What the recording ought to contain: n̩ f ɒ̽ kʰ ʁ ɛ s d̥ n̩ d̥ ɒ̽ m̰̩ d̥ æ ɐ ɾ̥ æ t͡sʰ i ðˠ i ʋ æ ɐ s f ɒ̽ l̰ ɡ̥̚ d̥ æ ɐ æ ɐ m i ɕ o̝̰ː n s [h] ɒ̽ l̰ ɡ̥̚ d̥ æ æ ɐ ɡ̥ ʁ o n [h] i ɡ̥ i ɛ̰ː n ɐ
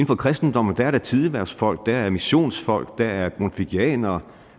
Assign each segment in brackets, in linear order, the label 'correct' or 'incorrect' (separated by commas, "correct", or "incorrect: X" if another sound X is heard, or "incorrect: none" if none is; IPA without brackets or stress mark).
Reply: incorrect: f, incorrect: f